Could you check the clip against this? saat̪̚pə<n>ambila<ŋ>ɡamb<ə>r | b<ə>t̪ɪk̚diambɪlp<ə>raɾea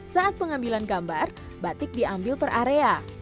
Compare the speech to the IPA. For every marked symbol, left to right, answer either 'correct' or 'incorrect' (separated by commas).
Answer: incorrect, incorrect, incorrect, incorrect, correct